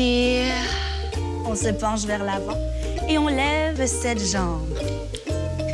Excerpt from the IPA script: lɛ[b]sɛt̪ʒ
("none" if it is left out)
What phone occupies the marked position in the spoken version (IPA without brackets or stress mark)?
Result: v